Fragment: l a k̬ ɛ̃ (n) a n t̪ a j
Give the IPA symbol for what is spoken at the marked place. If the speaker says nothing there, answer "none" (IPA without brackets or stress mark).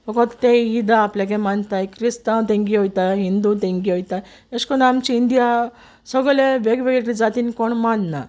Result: m